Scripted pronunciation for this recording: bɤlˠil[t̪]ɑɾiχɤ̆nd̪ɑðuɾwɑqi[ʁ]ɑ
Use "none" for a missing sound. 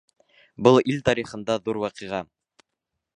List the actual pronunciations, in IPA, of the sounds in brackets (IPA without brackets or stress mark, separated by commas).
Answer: t̪, ʁ